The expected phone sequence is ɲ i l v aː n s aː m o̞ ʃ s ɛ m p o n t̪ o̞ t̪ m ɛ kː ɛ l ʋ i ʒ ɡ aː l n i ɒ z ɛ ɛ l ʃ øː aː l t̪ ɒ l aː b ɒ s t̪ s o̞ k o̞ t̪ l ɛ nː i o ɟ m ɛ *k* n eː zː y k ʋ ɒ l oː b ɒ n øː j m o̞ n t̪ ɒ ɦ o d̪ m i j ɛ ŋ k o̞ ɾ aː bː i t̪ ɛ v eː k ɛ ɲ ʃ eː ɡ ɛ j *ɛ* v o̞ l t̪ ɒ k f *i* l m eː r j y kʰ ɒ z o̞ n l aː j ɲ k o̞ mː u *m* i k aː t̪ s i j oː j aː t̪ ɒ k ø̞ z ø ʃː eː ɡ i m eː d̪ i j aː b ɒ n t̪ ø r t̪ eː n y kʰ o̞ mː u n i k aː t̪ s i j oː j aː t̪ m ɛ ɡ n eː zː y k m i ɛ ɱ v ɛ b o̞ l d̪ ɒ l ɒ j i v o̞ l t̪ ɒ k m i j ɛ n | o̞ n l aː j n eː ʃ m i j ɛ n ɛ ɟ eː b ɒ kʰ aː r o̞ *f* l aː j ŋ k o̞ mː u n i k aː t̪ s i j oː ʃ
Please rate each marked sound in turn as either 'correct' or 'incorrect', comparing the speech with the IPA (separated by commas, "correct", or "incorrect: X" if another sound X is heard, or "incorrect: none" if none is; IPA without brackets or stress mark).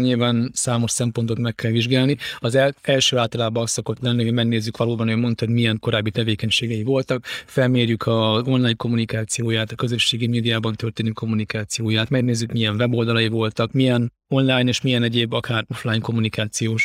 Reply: incorrect: ɡ, incorrect: i, incorrect: ɛ, incorrect: n, correct